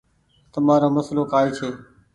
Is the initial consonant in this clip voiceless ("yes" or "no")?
yes